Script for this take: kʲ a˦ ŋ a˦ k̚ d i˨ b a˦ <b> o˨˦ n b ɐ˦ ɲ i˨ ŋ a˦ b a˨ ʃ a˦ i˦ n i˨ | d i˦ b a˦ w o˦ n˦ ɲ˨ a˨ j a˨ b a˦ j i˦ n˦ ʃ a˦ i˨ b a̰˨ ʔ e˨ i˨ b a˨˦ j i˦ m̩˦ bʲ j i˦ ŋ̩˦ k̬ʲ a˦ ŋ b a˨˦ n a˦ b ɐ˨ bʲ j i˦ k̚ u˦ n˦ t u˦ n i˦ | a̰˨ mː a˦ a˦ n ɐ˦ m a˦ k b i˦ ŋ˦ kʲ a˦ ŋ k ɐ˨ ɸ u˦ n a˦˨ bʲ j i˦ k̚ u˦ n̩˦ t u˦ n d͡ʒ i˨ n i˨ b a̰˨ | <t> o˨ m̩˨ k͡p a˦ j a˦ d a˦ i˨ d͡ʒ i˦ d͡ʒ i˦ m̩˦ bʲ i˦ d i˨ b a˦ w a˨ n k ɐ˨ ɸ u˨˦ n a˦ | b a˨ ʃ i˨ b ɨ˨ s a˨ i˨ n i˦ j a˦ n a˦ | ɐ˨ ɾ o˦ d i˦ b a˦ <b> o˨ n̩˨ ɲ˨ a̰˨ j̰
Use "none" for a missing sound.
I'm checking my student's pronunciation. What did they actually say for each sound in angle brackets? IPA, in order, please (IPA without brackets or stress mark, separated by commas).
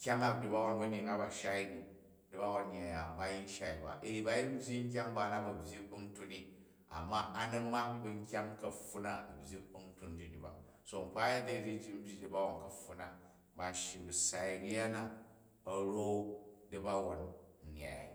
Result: w, s, w